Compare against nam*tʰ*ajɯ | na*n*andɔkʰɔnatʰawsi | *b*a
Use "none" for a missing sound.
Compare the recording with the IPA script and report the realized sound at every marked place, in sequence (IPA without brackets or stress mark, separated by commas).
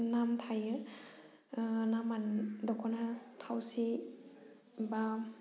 tʰ, m, b